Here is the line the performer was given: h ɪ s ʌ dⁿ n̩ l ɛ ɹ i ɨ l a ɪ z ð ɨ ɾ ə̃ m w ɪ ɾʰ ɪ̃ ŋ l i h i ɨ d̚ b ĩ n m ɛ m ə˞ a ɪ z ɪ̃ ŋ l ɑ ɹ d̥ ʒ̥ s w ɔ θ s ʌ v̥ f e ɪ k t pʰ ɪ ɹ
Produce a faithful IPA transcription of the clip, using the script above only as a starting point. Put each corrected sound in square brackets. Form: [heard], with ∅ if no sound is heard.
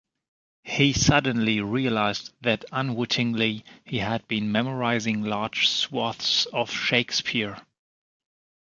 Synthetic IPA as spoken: h [i] s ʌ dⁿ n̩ l [i] ɹ i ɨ l a ɪ z ð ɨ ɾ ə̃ [n] w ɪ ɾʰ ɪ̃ ŋ l i h i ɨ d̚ b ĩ n m ɛ m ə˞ a ɪ z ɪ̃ ŋ l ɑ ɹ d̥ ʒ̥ s w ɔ θ s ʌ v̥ [ʃ] e ɪ k [s] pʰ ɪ ɹ